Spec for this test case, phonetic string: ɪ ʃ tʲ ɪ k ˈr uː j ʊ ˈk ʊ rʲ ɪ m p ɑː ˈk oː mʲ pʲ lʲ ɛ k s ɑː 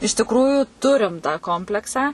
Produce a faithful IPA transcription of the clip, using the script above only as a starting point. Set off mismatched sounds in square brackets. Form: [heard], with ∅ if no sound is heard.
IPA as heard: ɪ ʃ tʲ ɪ k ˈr uː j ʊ [ˈt] ʊ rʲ ɪ m [t] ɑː ˈk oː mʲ pʲ lʲ ɛ k s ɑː

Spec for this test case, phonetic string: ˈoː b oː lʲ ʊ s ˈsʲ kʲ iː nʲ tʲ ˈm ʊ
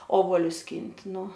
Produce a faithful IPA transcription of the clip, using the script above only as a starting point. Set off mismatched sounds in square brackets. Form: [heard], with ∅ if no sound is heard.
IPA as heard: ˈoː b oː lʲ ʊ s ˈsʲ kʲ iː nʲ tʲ [ˈn] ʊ

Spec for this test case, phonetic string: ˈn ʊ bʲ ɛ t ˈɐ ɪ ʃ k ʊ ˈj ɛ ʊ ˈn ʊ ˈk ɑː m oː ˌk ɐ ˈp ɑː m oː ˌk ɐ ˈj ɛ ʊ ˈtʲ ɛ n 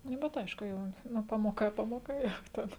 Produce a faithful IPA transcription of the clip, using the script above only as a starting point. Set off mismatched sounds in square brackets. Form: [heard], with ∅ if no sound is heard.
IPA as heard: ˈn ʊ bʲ ɛ t ˈɐ ɪ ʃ k ʊ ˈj ɛ ʊ ˈn ʊ [ˈp] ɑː m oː ˌk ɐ ˈp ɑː m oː ˌk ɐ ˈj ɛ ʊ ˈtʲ ɛ n

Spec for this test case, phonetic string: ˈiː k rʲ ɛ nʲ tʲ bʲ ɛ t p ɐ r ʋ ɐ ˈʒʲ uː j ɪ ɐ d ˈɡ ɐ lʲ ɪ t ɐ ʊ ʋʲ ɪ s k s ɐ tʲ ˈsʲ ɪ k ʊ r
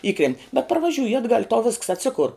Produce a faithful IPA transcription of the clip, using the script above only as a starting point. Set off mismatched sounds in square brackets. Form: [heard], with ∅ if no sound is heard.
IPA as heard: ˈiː k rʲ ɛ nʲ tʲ bʲ ɛ t p ɐ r ʋ ɐ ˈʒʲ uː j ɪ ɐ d ˈɡ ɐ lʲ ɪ t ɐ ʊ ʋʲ ɪ s k s ɐ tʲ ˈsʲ ɪ k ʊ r

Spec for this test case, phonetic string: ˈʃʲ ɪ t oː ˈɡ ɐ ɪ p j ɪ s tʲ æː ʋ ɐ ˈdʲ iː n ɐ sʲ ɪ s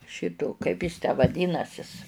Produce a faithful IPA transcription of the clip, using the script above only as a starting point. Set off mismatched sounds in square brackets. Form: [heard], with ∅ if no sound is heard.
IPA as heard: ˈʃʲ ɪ t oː [ˈk] ɐ ɪ p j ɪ s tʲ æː ʋ ɐ ˈdʲ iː n ɐ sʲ ɪ s

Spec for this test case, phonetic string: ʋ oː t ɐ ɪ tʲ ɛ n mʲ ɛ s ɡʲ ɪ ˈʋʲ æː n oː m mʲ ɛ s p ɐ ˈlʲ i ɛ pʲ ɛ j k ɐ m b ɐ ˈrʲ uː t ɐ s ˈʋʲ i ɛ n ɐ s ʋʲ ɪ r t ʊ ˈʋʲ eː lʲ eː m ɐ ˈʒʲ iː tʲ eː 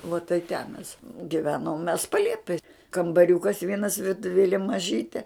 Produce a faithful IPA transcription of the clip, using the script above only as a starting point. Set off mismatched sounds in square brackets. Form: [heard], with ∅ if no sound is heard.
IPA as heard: ʋ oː t ɐ ɪ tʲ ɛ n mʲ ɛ s ɡʲ ɪ ˈʋʲ æː n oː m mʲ ɛ s p ɐ ˈlʲ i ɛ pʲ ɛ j k ɐ m b ɐ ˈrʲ uː [k] ɐ s ˈʋʲ i ɛ n ɐ s ʋʲ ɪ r t ʊ ˈʋʲ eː lʲ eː m ɐ ˈʒʲ iː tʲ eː

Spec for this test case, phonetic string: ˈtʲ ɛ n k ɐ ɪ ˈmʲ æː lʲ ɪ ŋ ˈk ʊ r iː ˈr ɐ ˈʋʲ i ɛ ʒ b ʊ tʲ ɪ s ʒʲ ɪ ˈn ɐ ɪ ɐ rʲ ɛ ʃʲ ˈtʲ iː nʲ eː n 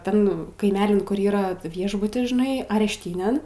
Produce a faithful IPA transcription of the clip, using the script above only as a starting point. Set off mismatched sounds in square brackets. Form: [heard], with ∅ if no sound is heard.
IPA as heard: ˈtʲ ɛ n k ɐ ɪ ˈmʲ æː lʲ ɪ [n] ˈk ʊ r iː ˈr ɐ ˈʋʲ i ɛ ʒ b ʊ tʲ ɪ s ʒʲ ɪ ˈn ɐ ɪ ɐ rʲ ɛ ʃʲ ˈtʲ iː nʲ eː n

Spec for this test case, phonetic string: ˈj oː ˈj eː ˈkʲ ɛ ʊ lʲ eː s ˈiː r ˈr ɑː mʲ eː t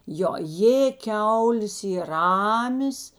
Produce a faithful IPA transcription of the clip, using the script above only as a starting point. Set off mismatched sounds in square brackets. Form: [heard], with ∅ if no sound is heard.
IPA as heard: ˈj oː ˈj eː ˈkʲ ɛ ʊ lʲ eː s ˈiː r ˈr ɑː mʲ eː [s]

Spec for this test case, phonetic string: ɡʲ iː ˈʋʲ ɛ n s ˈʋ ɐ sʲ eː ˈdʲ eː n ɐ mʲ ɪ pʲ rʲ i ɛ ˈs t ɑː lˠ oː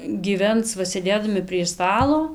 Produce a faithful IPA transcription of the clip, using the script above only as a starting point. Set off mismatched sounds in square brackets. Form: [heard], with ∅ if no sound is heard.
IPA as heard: ɡʲ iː ˈʋʲ ɛ n s ˈʋ ɐ sʲ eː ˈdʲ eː [d] ɐ mʲ ɪ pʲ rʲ i ɛ ˈs t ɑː lˠ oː

